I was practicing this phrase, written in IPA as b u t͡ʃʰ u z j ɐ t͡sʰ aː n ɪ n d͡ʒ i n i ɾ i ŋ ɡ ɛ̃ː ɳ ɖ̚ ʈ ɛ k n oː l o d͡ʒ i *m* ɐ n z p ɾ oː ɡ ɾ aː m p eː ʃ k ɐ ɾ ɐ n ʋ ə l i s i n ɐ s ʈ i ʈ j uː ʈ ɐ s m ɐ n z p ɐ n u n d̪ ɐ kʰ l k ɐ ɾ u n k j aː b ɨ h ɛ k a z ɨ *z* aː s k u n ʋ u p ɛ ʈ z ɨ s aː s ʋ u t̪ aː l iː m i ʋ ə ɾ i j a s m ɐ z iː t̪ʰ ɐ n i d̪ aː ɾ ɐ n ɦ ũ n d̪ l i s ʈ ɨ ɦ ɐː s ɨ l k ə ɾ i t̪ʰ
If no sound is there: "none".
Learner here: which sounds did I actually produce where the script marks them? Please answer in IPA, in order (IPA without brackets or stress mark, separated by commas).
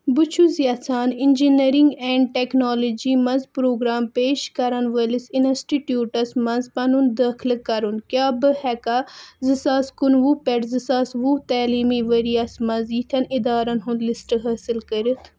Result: m, s